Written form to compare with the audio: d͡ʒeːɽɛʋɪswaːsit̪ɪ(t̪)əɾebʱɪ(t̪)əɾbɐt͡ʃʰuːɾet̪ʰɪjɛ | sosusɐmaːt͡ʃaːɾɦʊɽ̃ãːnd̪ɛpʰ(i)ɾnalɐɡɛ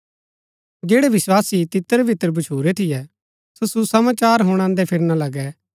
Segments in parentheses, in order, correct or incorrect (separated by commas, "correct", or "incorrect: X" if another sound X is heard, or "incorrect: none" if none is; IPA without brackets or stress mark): correct, correct, incorrect: ɪ